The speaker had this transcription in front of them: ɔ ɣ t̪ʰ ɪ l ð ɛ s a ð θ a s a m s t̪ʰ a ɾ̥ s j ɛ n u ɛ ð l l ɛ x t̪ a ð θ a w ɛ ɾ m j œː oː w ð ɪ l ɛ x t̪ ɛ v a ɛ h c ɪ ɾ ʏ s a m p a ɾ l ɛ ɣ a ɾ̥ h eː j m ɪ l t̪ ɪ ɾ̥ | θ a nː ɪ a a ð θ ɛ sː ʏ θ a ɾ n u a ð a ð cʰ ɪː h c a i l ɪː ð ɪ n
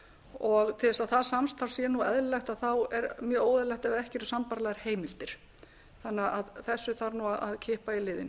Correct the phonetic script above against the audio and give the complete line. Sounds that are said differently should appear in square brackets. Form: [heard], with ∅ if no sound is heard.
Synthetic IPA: ɔ ɣ t̪ʰ ɪ l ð ɛ s a ð θ a s a m s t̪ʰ a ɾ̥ s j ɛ n u ɛ ð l l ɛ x t̪ a ð θ a w ɛ ɾ m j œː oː w ð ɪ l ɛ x t̪ ɛ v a ɛ h c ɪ ɾ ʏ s a m p a ɾ l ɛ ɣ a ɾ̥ h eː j m ɪ l t̪ ɪ ɾ̥ | θ a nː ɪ a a ð θ ɛ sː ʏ θ a ɾ n u a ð a ð cʰ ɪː h [p] a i l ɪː ð ɪ n